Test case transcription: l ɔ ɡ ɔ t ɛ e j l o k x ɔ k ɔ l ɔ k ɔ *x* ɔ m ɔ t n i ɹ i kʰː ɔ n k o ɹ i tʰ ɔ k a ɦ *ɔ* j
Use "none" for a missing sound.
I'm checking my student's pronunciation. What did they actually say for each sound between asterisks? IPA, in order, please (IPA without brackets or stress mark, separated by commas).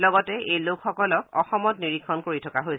x, o